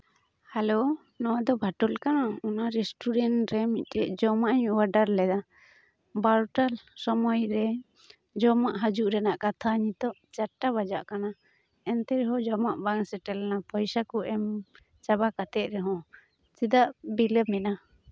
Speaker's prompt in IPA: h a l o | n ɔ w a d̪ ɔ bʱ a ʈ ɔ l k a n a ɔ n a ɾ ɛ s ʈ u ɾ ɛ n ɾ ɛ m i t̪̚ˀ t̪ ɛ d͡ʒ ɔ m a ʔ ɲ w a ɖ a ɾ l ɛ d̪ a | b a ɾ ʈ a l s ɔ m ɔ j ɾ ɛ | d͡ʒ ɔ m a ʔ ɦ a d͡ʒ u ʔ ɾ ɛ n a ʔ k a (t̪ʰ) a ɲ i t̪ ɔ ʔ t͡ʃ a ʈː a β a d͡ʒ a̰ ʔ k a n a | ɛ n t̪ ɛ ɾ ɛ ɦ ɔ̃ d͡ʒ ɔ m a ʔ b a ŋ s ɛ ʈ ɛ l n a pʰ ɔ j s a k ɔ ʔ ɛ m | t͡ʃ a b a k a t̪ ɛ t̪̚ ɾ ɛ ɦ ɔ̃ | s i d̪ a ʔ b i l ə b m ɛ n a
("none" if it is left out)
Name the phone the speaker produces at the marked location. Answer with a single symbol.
t̪ʰ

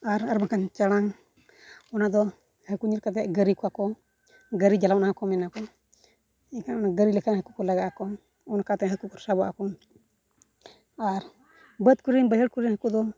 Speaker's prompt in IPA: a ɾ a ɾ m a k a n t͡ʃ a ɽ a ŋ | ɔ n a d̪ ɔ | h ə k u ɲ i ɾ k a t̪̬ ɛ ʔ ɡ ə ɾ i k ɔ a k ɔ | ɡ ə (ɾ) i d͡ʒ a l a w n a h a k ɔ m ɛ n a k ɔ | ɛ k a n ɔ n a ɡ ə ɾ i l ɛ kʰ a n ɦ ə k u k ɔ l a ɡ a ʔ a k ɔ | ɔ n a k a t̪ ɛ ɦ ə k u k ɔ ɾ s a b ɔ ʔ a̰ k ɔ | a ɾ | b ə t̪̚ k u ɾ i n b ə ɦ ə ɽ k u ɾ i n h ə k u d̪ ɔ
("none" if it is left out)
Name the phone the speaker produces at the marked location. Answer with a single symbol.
ɾ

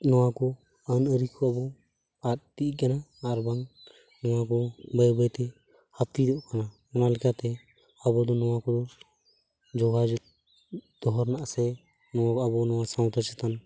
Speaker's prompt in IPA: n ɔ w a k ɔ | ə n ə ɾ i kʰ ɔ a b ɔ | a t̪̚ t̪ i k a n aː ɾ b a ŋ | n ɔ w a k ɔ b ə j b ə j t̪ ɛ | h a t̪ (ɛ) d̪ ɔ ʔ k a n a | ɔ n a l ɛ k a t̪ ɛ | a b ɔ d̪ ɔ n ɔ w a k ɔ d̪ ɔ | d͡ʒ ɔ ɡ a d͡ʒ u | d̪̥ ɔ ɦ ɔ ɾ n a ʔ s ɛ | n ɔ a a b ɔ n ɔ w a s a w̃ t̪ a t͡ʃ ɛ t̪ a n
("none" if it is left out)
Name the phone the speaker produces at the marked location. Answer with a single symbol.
i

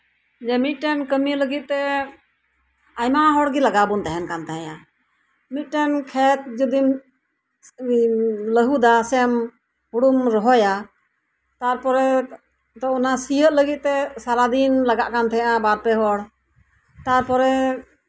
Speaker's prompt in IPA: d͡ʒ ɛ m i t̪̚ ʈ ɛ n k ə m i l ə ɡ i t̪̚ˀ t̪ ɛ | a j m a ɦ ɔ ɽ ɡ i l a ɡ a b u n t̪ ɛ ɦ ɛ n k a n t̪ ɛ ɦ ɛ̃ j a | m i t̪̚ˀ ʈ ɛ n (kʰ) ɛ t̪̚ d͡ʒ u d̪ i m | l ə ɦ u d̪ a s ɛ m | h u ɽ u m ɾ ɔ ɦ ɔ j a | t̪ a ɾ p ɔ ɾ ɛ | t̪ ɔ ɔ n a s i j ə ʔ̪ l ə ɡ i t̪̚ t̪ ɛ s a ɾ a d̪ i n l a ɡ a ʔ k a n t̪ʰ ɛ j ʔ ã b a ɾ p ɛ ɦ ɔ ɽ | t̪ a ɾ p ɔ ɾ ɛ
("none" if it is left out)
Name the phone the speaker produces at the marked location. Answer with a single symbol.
kʰ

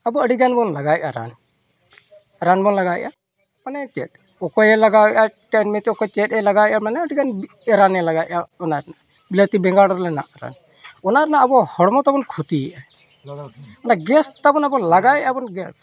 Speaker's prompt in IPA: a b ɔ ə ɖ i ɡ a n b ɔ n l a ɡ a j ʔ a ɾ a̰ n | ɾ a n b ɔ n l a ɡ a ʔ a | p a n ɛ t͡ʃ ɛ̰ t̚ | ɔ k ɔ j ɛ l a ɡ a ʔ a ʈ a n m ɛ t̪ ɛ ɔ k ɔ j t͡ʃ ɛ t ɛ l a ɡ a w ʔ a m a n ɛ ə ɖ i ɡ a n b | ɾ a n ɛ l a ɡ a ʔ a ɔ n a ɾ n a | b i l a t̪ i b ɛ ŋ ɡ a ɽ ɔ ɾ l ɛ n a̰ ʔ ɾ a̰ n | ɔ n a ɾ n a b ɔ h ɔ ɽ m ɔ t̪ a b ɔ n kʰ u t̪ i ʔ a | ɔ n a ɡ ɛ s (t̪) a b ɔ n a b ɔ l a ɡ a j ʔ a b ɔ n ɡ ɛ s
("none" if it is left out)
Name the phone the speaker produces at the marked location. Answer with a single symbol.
t̪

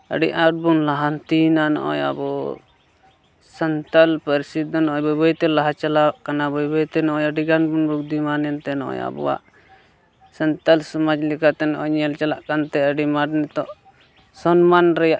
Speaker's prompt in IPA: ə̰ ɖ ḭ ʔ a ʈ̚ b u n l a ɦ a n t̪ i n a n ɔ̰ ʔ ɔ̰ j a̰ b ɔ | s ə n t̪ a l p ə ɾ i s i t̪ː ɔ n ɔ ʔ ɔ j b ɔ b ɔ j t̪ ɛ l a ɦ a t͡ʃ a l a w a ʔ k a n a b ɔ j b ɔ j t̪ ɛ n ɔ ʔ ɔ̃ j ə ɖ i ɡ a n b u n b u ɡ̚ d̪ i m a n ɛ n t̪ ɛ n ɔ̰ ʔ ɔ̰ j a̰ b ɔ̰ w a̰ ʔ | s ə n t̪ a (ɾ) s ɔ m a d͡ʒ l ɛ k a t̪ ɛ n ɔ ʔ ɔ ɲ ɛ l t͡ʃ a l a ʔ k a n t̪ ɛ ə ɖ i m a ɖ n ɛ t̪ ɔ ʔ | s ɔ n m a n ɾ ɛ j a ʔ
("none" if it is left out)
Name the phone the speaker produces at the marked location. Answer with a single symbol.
l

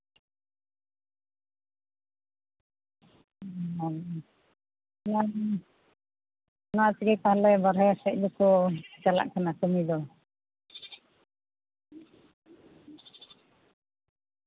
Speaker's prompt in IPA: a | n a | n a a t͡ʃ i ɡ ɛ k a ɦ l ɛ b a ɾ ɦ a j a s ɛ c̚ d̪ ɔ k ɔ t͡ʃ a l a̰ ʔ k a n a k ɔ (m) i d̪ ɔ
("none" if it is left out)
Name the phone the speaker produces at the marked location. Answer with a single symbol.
m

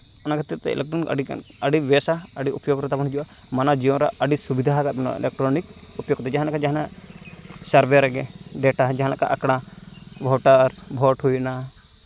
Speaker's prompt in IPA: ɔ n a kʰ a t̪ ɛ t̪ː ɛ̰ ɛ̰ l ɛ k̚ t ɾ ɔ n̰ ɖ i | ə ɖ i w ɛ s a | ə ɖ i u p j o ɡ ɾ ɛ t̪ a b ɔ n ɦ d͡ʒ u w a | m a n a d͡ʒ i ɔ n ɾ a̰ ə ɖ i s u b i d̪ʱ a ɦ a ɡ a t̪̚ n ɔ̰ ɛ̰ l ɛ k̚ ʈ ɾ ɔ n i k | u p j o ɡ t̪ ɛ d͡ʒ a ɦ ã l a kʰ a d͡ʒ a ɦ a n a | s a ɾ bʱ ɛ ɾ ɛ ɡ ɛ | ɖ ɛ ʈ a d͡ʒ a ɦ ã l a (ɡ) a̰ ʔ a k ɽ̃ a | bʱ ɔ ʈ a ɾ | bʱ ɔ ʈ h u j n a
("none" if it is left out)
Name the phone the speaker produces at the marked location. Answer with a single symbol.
k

